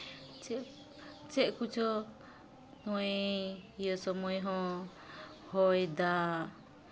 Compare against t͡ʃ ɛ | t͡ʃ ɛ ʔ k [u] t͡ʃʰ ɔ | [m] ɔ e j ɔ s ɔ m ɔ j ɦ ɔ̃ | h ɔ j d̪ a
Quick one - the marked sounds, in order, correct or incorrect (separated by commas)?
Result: correct, incorrect